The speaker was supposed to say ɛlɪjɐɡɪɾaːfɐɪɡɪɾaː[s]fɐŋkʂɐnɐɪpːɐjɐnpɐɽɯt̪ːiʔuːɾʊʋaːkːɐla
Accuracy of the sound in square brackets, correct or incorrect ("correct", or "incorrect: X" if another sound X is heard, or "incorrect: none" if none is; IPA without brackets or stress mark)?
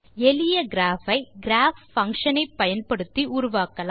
incorrect: f